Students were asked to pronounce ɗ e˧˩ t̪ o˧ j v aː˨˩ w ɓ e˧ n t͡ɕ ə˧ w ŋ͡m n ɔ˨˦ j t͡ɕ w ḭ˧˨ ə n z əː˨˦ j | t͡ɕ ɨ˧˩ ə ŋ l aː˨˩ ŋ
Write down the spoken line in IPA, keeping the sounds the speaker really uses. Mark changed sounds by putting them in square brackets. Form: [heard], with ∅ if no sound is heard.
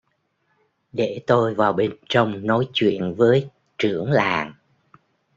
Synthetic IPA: ɗ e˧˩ t̪ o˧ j v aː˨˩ w ɓ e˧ n t͡ɕ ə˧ w ŋ͡m n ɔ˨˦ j t͡ɕ w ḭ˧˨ ə n [v] əː˨˦ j | t͡ɕ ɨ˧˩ ə ŋ l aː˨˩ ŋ

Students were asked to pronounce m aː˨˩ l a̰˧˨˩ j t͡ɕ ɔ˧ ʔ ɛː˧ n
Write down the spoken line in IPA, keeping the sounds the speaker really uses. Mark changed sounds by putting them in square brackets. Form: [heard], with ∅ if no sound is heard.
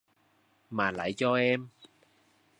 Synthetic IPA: m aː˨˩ l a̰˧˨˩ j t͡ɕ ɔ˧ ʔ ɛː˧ [m]

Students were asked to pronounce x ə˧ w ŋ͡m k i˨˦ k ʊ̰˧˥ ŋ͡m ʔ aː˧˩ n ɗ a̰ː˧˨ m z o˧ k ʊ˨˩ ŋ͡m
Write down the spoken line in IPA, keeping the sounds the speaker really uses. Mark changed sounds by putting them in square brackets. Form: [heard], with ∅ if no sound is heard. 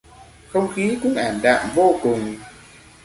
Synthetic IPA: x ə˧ w ŋ͡m [x] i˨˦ k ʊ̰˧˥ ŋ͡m ʔ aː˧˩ n ɗ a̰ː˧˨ m [v] o˧ k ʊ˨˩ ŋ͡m

